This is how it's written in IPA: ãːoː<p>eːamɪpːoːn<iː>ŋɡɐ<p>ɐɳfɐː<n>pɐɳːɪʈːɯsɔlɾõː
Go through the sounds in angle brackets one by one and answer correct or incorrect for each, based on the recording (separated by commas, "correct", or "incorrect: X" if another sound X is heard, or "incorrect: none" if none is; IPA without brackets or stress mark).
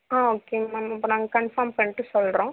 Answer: incorrect: k, incorrect: aː, incorrect: k, incorrect: m